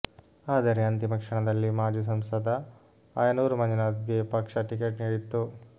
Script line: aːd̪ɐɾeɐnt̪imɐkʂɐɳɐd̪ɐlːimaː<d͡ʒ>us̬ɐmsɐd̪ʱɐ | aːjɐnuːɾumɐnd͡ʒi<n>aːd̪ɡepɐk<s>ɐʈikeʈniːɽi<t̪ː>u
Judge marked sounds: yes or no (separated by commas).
yes, yes, no, yes